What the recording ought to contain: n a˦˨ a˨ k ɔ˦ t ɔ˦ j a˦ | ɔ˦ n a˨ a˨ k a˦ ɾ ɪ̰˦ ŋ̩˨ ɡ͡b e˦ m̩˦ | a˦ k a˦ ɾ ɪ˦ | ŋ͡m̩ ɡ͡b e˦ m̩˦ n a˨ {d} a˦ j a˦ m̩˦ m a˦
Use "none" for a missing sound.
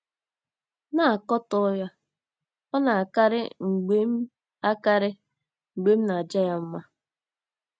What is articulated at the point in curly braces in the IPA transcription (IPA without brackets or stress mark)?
d͡ʒ